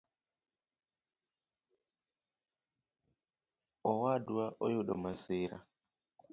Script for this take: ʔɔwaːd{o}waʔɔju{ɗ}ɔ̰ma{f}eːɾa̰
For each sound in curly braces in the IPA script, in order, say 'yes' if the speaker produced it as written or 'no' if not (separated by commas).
no, yes, no